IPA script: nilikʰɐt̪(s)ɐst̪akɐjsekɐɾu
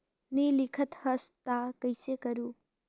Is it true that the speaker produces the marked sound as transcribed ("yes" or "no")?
no